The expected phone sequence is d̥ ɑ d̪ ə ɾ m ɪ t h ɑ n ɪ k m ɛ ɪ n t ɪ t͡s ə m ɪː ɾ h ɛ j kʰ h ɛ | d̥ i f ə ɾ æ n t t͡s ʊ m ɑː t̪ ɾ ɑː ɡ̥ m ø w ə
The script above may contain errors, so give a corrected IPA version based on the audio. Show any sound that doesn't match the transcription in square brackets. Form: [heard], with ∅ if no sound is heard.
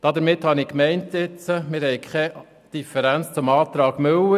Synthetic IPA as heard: d̥ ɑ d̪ ə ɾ m ɪ t h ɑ n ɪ k m ɛ ɪ n t ɪ t͡s ə m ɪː ɾ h ɛ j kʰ [χ] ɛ | d̥ i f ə ɾ æ n [t͡s] t͡s ʊ m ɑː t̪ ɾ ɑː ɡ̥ m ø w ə